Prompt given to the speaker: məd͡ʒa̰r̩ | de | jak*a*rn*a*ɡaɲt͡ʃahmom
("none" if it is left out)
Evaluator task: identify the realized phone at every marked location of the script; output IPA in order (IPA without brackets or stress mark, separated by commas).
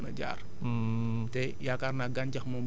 a, a